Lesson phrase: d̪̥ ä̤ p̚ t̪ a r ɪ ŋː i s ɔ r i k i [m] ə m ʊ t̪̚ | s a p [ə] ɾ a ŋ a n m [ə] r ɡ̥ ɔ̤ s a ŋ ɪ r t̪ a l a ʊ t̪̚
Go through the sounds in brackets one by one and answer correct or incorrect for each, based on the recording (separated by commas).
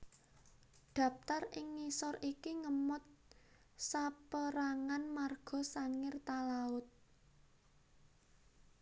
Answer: incorrect, correct, incorrect